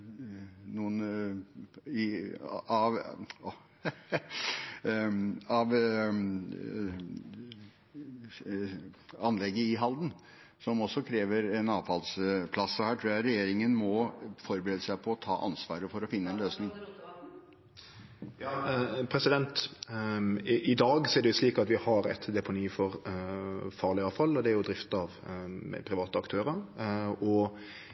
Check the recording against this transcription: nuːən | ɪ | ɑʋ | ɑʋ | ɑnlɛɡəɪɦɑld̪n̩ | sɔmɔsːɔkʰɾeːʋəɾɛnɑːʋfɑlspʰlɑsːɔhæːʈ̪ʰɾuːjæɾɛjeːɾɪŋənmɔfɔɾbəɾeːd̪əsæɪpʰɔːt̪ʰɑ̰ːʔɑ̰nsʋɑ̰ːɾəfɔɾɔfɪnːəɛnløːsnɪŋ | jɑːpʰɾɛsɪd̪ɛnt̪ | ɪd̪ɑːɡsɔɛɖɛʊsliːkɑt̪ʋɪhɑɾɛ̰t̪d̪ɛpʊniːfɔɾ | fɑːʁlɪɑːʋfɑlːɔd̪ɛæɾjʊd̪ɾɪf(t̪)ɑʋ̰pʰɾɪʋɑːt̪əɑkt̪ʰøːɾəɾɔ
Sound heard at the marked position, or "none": t̪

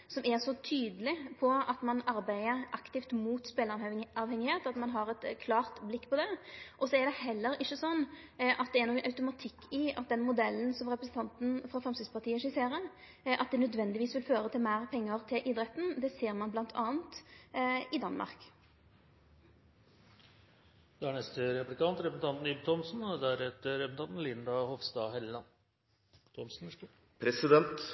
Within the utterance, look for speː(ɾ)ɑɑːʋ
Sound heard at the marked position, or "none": l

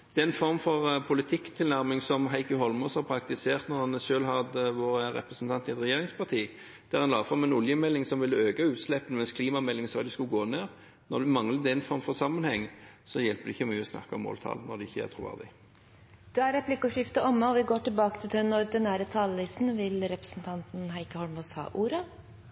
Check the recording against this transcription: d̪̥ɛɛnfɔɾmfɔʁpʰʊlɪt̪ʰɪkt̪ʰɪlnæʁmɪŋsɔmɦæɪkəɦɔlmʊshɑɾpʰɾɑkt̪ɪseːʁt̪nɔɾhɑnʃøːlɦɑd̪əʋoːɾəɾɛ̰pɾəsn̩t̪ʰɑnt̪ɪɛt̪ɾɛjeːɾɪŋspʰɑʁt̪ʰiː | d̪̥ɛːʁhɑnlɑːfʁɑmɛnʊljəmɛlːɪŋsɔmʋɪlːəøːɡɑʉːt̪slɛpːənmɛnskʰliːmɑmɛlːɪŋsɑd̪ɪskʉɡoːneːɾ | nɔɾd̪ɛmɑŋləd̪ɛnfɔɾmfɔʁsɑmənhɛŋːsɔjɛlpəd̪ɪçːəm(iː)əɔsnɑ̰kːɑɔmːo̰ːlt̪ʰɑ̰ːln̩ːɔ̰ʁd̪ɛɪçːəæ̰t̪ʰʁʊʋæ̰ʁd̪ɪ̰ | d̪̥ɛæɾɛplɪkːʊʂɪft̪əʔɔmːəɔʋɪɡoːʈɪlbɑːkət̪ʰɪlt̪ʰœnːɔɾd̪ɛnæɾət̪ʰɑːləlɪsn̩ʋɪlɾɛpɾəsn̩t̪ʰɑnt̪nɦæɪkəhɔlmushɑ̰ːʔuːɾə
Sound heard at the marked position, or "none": yː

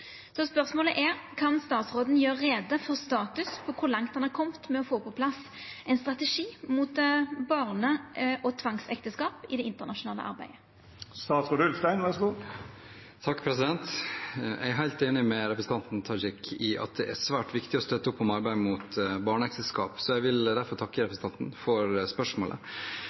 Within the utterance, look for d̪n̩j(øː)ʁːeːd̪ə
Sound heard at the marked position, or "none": øː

